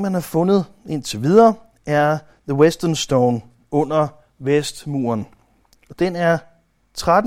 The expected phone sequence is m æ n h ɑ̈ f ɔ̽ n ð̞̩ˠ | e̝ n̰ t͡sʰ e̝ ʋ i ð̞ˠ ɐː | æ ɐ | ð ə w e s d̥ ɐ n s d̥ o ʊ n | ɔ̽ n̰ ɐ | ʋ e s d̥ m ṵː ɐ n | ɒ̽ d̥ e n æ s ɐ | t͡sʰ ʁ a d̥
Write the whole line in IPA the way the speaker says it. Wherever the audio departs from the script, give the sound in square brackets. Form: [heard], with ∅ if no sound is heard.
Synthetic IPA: m æ n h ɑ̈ f ɔ̽ n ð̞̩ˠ | e̝ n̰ t͡sʰ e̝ ʋ i ð̞ˠ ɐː | æ ɐ | ð ə w e s d̥ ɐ n s d̥ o ʊ n | ɔ̽ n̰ ɐ | ʋ e s d̥ m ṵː ɐ n | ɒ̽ d̥ e n æ [∅] ɐ | t͡sʰ ʁ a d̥